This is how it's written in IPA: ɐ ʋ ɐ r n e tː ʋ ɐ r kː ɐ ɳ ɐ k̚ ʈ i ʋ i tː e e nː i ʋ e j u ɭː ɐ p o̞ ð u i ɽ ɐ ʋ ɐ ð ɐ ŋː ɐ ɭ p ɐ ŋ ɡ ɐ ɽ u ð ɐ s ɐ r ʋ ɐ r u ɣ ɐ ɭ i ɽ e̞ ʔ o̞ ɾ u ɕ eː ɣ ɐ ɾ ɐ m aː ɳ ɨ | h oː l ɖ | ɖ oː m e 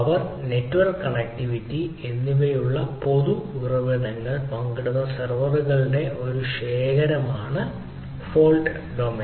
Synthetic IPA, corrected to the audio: ɐ ʋ ɐ r n e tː ʋ ɐ r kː ɐ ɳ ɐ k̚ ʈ i ʋ i tː i e nː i ʋ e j u ɭː ɐ p o̞ ð u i r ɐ ʋ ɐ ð ɐ ŋː ɐ ɭ p ɐ ŋ ɡ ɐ ɽ u ð ɐ s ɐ r ʋ ɐ r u ɣ ɐ ɭ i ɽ e̞ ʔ o̞ ɾ u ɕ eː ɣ ɐ ɾ ɐ m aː ɳ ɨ | f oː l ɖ | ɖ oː m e

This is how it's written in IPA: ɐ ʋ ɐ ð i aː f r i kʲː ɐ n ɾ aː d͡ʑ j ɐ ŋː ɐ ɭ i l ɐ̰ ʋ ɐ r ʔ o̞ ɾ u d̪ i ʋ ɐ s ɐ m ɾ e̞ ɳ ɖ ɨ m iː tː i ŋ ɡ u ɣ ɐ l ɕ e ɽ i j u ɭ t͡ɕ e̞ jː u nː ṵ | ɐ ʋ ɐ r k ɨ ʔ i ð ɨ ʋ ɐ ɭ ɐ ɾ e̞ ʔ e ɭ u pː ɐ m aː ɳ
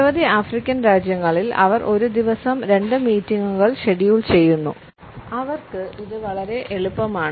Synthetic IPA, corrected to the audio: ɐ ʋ ɐ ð i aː f r i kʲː ɐ n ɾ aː d͡ʑ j ɐ ŋː ɐ ɭ i l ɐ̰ ʋ ɐ r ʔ o̞ ɾ u d̪ i ʋ ɐ s ɐ m ɾ e̞ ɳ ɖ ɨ m iː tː i ŋ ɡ u ɣ ɐ ɭ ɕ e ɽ i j u ɭ t͡ɕ e̞ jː u nː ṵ | ɐ ʋ ɐ r k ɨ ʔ i ð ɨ ʋ ɐ ɭ ɐ ɾ e̞ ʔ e ɭ u pː ɐ m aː ɳ

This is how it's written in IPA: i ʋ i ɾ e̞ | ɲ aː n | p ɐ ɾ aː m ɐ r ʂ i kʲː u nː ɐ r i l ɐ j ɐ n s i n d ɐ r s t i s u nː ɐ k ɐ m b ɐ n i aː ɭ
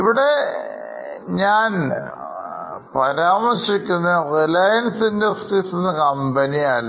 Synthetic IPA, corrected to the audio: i ʋ i ɽ e̞ | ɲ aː n | p ɐ ɾ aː m ɐ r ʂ i kʲː u nː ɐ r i l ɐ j ɐ n s i n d ɐ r s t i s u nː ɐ k ɐ m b ɐ n i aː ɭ

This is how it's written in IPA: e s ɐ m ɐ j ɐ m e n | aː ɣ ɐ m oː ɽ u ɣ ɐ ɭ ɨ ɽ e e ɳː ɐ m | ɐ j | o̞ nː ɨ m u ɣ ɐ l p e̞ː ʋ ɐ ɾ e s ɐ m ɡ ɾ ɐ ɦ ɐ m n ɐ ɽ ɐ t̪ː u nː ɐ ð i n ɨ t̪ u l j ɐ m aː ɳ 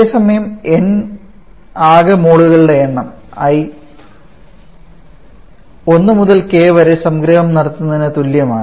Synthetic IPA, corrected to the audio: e s ɐ m ɐ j ɐ m e n | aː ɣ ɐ m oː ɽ u ɣ ɐ ɭ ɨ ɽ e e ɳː ɐ m | ɐ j | o̞ nː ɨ m u ð ɐ l k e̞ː ʋ ɐ ɾ e s ɐ m ɡ ɾ ɐ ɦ ɐ m n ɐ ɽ ɐ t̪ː u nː ɐ ð i n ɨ t̪ u l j ɐ m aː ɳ

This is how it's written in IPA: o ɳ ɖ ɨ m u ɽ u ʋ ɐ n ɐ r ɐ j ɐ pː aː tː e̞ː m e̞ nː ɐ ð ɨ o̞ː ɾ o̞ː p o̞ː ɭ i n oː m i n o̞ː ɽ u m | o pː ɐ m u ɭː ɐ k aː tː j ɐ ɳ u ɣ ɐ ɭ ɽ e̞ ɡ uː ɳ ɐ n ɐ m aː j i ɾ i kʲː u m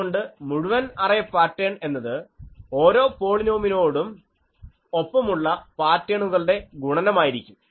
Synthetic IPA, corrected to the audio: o ɳ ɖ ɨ m u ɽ u ʋ ɐ n ɐ r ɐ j ɐ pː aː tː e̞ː ɳ e̞ nː ɐ ð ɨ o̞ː ɾ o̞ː p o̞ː ɭ i n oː m i n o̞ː ɽ u m | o pː ɐ m u ɭː ɐ p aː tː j ɐ ɳ u ɣ ɐ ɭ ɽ e̞ ɡ u ɳ ɐ n ɐ m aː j i ɾ i kʲː u m

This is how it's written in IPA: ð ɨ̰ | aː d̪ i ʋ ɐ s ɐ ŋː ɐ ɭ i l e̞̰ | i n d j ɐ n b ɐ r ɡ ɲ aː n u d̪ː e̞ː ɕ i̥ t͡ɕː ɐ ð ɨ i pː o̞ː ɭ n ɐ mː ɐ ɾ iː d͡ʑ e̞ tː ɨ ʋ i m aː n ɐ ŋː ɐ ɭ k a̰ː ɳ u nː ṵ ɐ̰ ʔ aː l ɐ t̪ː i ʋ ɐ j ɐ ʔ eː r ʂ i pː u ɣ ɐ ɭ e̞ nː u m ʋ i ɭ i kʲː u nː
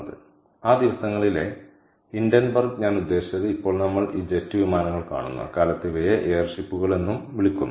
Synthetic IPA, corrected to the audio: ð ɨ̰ | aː d̪ i ʋ ɐ s ɐ ŋː ɐ ɭ i l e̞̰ | i n d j ɐ n b ɐ r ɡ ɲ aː n u d̪ː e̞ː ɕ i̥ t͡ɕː ɐ ð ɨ i pː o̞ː ɭ n ɐ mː ɐ ɭ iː d͡ʑ e̞ tː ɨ ʋ i m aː n ɐ ŋː ɐ ɭ k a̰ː ɳ u nː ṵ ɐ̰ k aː l ɐ t̪ː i ʋ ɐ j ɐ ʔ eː r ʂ i pː u ɣ ɐ ɭ e̞ nː u m ʋ i ɭ i kʲː u nː

